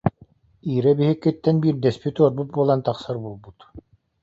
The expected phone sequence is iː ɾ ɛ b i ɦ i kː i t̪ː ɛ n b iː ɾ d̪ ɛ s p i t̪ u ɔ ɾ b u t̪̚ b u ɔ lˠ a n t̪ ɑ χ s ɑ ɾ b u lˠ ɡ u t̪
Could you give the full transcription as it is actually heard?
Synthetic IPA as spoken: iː ɾ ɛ b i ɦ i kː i t̪ː ɛ n b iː ɾ d̪ ɛ s p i t̪ u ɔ ɾ b u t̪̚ b u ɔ lˠ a n t̪ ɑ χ s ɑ ɾ b u lˠ b u t̪